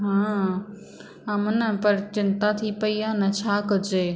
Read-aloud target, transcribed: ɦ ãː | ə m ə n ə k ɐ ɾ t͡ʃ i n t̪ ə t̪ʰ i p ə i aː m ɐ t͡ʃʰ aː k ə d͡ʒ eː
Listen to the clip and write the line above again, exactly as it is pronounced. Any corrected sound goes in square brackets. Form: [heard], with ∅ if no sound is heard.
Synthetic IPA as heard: ɦ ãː | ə m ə n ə [p] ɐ ɾ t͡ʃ [ɪ] n t̪ [a] t̪ʰ i p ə i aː [n] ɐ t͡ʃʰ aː k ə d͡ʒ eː